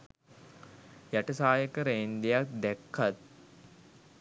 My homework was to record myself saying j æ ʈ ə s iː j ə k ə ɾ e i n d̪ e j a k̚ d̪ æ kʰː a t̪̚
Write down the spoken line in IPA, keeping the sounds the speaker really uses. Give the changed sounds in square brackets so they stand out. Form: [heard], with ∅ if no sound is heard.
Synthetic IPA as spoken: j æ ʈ ə s [aː] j ə k ə ɾ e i n d̪ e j a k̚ d̪ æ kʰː a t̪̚